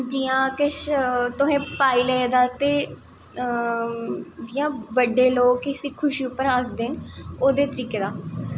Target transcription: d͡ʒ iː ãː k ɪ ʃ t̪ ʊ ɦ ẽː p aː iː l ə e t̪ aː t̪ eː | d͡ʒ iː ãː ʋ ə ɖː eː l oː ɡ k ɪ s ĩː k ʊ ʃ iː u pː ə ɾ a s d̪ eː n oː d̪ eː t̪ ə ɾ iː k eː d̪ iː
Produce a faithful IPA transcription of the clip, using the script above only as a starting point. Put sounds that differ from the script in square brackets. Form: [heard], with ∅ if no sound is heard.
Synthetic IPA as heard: d͡ʒ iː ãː k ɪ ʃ t̪ ʊ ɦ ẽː p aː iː l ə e [d̪] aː t̪ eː | d͡ʒ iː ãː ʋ ə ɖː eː l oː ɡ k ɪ s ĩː [kʰ] ʊ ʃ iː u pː ə ɾ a s d̪ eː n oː d̪ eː t̪ ə ɾ iː k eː d̪ [aː]